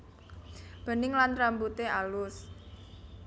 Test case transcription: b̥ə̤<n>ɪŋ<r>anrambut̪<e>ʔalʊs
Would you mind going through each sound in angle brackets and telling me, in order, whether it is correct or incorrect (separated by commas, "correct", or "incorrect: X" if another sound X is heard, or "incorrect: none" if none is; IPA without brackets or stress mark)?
correct, incorrect: l, correct